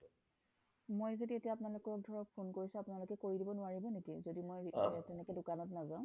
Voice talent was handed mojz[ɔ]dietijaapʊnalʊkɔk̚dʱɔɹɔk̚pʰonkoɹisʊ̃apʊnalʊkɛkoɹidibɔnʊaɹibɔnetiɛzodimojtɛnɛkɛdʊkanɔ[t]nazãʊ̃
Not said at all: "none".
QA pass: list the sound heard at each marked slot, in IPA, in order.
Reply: o, t

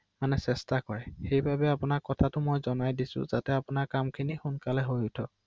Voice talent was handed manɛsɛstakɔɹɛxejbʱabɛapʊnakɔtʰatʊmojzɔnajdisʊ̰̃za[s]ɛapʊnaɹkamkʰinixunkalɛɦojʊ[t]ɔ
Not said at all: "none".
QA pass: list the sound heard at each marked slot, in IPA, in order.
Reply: t, tʰ

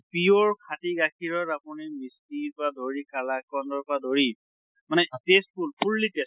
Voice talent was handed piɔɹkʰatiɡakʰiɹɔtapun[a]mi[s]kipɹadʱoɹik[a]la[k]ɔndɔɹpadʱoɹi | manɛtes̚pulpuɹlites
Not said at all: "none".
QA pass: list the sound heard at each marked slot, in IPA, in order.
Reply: i, s, a, k

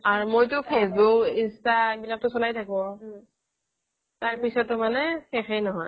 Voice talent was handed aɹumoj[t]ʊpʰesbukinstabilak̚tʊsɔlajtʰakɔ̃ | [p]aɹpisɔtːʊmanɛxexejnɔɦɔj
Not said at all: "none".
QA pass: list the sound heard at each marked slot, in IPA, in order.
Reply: t, t

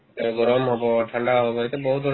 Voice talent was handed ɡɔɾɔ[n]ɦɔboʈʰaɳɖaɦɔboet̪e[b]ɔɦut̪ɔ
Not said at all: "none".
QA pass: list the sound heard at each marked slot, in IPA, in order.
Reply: m, b

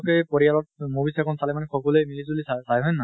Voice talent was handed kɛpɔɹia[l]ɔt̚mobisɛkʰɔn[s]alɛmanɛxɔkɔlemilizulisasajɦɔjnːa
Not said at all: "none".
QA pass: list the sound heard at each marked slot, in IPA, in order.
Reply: l, s

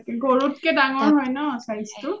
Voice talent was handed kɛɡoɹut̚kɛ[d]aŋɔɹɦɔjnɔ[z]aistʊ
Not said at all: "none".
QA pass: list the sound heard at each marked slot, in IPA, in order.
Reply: d, s

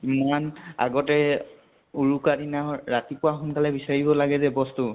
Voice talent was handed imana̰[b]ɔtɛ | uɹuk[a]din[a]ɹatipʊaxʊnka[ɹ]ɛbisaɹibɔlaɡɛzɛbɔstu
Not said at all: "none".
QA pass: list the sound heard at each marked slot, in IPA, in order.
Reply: ɡ, a, a, l

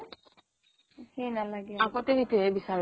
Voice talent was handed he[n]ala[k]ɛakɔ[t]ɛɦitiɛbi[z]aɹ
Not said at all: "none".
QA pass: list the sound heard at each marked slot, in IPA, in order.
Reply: n, ɡ, t, s

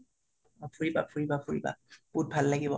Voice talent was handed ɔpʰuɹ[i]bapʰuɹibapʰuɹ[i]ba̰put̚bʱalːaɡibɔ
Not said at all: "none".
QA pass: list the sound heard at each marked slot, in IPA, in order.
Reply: i, i

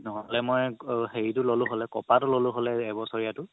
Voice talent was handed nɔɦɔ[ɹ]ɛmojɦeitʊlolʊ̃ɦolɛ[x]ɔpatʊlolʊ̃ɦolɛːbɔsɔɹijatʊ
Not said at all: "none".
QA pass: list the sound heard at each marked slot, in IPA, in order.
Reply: l, k

